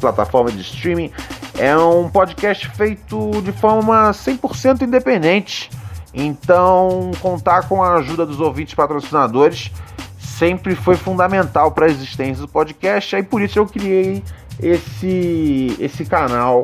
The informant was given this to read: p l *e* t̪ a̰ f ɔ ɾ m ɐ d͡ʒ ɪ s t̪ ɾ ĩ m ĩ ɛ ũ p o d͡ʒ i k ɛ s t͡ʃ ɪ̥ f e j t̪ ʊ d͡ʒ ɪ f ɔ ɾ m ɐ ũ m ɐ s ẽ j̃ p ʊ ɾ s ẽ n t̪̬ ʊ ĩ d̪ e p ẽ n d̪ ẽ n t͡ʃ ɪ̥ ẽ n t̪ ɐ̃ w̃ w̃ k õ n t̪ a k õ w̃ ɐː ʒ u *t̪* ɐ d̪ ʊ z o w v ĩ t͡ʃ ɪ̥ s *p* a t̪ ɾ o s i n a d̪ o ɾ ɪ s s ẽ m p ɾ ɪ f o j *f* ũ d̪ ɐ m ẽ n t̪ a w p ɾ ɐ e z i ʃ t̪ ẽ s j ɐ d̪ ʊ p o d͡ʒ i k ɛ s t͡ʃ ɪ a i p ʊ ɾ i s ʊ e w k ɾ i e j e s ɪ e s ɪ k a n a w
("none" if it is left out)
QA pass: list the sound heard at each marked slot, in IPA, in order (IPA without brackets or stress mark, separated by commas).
a, d̪, p, f